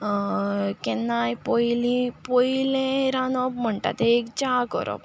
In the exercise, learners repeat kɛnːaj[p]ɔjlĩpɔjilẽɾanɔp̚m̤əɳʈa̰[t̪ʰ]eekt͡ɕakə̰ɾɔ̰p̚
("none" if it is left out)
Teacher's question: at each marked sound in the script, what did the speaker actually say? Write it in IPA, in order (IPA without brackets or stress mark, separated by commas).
p, t̪